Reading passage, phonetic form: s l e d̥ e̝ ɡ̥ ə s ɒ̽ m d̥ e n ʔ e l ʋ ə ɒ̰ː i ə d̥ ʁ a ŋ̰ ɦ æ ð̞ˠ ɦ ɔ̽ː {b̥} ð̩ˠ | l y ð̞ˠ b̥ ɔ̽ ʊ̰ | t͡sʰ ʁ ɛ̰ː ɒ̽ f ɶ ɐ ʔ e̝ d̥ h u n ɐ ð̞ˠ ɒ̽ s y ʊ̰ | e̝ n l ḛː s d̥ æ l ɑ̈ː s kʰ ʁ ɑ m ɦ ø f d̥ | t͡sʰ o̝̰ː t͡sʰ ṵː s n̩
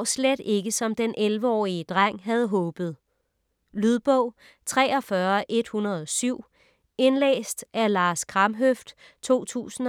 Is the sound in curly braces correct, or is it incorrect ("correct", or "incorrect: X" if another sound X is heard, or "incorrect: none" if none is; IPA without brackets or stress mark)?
correct